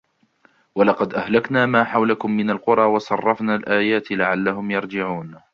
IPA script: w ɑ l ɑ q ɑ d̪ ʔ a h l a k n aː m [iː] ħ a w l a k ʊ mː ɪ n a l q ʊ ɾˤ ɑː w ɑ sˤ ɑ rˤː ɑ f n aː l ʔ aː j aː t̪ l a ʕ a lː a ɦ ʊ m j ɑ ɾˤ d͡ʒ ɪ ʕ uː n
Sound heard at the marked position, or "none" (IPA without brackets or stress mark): aː